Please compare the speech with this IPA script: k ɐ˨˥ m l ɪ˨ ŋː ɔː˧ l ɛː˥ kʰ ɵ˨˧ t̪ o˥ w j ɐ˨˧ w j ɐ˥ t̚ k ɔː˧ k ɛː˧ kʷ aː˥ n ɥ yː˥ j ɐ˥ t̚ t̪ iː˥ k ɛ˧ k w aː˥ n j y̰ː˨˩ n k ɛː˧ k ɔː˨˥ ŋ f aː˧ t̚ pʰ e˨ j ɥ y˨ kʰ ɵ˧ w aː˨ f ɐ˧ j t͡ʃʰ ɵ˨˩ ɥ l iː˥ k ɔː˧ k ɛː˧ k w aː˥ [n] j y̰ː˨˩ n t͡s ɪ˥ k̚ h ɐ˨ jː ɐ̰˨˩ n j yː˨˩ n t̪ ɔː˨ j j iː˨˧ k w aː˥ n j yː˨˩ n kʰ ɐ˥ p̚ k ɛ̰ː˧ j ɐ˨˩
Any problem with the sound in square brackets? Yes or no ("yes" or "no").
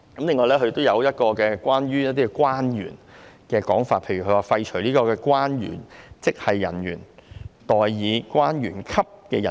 no